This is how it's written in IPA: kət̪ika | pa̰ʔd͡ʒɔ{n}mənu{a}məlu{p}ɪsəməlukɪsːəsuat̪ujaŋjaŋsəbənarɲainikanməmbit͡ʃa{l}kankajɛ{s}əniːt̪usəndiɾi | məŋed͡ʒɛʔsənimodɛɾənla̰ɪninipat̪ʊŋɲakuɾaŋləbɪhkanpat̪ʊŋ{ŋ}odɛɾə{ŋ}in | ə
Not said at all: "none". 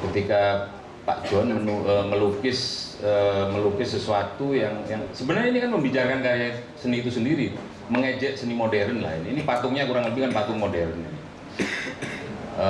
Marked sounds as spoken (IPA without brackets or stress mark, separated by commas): n, ə, k, r, s, m, n